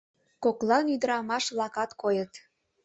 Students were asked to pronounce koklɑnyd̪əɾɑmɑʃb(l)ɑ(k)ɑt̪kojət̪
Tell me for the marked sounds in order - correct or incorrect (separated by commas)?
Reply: correct, correct